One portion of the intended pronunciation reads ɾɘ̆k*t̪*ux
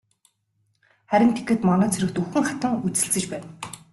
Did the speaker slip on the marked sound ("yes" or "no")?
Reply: no